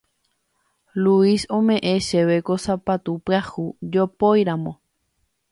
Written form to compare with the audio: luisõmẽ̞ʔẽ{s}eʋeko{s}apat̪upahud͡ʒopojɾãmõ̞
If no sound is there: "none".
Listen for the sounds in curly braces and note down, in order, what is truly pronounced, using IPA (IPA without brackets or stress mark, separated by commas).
ʃ, s